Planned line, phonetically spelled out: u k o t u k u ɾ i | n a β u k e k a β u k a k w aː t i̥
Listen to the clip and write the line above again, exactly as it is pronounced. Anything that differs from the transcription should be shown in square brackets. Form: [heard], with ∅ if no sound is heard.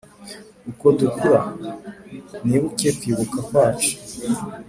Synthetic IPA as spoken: u k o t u k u ɾ [a] | n [i] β u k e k [i] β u k a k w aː [t͡ʃ] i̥